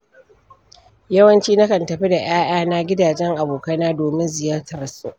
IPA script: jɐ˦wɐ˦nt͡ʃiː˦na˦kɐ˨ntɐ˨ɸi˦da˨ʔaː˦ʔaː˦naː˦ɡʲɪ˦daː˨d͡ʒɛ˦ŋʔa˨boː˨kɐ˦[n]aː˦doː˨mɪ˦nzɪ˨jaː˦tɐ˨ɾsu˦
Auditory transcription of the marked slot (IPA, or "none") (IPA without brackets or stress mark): n